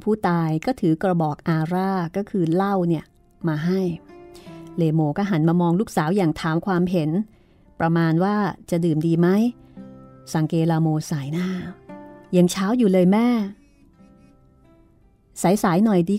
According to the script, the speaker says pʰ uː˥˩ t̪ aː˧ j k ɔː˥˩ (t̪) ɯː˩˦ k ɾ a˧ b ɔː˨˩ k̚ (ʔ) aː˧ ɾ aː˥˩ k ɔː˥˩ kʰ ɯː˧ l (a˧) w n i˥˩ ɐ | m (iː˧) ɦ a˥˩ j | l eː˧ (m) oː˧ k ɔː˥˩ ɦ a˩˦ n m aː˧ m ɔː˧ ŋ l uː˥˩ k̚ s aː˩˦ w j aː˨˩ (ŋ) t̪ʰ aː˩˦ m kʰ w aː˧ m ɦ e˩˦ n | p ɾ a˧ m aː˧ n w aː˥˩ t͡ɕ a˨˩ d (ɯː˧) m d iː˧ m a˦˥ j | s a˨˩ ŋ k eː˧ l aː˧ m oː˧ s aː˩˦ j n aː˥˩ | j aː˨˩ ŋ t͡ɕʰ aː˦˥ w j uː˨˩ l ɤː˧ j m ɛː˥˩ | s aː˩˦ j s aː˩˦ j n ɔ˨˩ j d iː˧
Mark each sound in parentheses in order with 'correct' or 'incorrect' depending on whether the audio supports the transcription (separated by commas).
incorrect, correct, incorrect, incorrect, correct, correct, incorrect